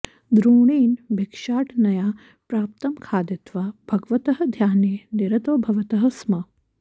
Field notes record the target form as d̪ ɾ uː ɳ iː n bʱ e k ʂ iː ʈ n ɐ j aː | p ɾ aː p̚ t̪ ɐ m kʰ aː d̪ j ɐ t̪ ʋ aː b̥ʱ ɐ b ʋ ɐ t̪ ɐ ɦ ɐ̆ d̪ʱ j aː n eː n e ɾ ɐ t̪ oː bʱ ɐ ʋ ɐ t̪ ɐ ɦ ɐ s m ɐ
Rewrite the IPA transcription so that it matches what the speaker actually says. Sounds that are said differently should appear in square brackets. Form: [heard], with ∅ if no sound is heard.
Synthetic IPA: d̪ ɾ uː ɳ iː n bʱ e k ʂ [aː] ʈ n ɐ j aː | p ɾ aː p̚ t̪ ɐ m kʰ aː d̪ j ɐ t̪ ʋ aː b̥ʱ ɐ [ɡ] ʋ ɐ t̪ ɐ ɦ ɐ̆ d̪ʱ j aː n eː n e ɾ ɐ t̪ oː bʱ ɐ ʋ ɐ t̪ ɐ ɦ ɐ s m ɐ

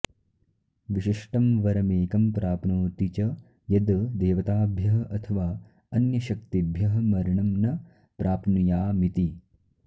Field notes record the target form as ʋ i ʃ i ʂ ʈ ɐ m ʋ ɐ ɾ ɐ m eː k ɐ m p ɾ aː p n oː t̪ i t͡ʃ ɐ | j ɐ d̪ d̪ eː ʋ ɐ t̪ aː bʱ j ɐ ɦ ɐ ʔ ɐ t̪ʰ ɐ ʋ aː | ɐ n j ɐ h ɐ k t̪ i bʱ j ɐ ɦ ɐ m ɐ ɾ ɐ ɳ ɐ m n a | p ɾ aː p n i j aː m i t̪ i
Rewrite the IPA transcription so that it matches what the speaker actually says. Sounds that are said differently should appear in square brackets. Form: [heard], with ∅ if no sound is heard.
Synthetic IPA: ʋ i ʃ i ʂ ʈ ɐ m ʋ ɐ ɾ ɐ m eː k ɐ m p ɾ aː p n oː t̪ i t͡ʃ ɐ | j ɐ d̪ d̪ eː ʋ ɐ t̪ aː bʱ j ɐ ɦ ɐ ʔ ɐ t̪ʰ ɐ ʋ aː | ɐ n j ɐ [ʃ] ɐ k t̪ i bʱ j ɐ ɦ ɐ m ɐ ɾ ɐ ɳ ɐ m n [ɐ] | p ɾ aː p n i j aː m i t̪ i

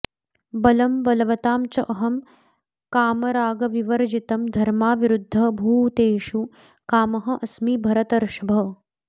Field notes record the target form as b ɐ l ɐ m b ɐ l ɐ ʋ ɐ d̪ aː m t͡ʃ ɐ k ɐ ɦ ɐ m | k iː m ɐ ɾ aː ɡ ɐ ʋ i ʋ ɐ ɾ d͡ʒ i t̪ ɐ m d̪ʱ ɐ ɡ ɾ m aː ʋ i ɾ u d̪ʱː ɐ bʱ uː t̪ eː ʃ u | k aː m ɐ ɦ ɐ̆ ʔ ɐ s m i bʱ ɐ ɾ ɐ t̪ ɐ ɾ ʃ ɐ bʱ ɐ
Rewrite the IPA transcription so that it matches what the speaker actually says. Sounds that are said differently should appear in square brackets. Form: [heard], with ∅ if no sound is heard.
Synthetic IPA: b ɐ l ɐ m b ɐ l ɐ ʋ ɐ [t̪] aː m t͡ʃ ɐ [ʔ] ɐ ɦ ɐ m | k [aː] m ɐ ɾ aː ɡ ɐ ʋ i ʋ ɐ ɾ d͡ʒ i t̪ ɐ m d̪ʱ ɐ [∅] ɾ m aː ʋ i ɾ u d̪ʱː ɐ bʱ uː t̪ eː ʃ u | k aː m ɐ ɦ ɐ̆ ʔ ɐ s m i bʱ ɐ ɾ ɐ t̪ ɐ ɾ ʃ ɐ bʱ ɐ

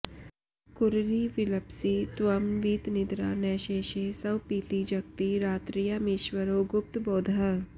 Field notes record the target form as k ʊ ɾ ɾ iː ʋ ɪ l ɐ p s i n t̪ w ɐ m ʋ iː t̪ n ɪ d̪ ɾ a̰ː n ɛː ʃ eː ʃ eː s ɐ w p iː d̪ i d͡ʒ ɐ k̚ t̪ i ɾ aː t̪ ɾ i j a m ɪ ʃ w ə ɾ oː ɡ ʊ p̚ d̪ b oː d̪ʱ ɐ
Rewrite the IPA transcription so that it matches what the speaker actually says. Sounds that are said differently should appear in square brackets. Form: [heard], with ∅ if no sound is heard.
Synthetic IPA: k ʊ ɾ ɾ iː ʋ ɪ l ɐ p s i [∅] t̪ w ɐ m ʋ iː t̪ n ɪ d̪ ɾ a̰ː n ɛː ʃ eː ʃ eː s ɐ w p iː [t̪] i d͡ʒ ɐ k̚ t̪ i ɾ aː t̪ ɾ i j a m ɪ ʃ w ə ɾ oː ɡ ʊ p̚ [t̪] b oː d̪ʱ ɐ

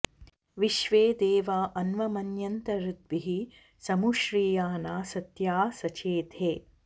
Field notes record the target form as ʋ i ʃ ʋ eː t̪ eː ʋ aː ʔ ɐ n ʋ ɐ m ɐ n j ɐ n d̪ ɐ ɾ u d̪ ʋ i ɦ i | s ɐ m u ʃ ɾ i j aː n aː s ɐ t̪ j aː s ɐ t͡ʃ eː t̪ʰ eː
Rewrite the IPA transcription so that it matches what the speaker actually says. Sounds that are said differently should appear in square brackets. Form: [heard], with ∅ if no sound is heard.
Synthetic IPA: ʋ i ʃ ʋ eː [d̪] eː ʋ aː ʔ ɐ n ʋ ɐ m ɐ n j ɐ n [t̪] ɐ ɾ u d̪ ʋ i ɦ i | s ɐ m u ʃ ɾ [iː] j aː n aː s ɐ t̪ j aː s ɐ t͡ʃ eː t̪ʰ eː

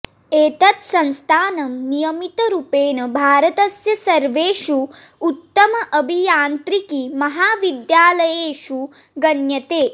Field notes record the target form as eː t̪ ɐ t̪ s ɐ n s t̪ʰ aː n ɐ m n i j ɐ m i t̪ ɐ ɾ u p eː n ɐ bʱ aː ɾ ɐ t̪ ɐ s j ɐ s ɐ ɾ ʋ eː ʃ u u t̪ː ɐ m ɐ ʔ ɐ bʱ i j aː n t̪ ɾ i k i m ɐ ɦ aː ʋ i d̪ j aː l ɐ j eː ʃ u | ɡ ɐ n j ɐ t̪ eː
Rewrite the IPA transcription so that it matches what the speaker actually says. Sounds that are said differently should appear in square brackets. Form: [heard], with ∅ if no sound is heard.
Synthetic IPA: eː t̪ ɐ t̪ s ɐ n s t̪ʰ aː n ɐ m n i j ɐ m i t̪ ɐ ɾ u p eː n ɐ bʱ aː ɾ ɐ t̪ ɐ s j ɐ s ɐ ɾ ʋ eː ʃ u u t̪ː ɐ m ɐ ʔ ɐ bʱ i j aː n t̪ ɾ i k i m ɐ ɦ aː ʋ i d̪ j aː l ɐ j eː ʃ u | ɡ ɐ n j ɐ t̪ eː

